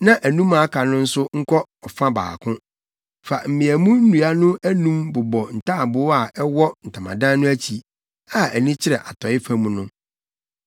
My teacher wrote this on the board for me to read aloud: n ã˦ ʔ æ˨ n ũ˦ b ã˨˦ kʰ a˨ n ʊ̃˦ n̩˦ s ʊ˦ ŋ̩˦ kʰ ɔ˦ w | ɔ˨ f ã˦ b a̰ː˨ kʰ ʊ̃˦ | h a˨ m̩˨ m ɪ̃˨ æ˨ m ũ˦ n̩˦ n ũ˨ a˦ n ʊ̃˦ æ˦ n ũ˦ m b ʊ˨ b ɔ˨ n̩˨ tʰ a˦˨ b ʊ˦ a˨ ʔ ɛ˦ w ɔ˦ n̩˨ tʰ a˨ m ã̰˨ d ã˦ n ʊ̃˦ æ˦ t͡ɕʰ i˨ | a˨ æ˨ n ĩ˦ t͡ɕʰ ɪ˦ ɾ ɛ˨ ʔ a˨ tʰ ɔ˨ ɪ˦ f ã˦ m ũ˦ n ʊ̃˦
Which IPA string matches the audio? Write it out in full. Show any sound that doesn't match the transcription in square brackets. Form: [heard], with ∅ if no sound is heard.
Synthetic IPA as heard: n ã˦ ʔ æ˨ n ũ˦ [m] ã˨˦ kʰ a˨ n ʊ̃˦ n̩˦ s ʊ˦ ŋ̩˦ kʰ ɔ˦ [∅] | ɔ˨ f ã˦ b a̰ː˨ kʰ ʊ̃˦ | [f] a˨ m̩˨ m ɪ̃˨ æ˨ m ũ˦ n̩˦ n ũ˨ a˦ n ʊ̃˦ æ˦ n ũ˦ m b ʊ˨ b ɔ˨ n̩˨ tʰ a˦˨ b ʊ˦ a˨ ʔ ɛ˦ w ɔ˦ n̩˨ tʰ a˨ m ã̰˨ d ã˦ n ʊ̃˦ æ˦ t͡ɕʰ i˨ | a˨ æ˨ n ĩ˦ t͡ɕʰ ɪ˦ ɾ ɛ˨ ʔ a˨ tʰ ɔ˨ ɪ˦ f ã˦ m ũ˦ n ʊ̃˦